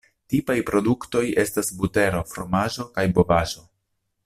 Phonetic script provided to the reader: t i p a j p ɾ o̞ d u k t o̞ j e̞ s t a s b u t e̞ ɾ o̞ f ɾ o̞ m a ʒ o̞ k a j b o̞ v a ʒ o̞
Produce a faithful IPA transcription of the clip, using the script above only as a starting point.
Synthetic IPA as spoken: t i p a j p ɾ o̞ d u k t o̞ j e̞ s t a s b u t e̞ ɾ o̞ f ɾ o̞ m a ʒ o̞ k a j b o̞ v a ʒ o̞